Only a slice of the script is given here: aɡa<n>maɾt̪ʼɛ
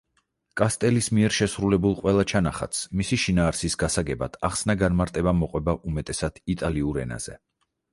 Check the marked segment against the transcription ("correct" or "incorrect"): correct